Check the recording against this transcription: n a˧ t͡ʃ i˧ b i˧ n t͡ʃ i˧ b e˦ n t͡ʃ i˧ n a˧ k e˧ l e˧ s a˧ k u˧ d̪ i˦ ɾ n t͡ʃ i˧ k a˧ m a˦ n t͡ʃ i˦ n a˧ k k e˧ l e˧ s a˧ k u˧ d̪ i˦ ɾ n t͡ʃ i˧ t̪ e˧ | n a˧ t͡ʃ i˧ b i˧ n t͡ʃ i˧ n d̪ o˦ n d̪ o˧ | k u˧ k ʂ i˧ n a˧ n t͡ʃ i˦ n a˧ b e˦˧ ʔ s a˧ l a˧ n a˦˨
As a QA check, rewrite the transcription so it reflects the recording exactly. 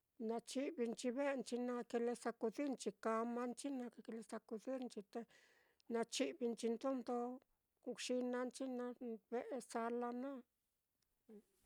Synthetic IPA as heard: n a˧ t͡ʃ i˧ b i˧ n t͡ʃ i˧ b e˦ n t͡ʃ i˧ n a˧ k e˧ l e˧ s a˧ k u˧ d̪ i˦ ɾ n t͡ʃ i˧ k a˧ m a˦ n t͡ʃ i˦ n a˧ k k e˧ l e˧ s a˧ k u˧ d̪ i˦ ɾ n t͡ʃ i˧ t̪ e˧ | n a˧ t͡ʃ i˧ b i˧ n t͡ʃ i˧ n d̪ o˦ n d̪ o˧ | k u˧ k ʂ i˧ n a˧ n t͡ʃ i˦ n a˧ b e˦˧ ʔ s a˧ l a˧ n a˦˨